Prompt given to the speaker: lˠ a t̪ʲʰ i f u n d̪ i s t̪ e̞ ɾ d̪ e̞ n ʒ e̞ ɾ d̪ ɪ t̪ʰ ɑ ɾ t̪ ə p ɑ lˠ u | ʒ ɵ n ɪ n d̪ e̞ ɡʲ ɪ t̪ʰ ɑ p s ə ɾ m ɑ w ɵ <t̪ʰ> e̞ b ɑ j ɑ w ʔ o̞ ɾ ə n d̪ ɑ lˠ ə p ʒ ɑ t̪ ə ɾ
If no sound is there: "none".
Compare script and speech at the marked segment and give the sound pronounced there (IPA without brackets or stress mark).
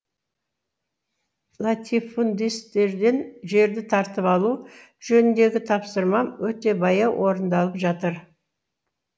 t̪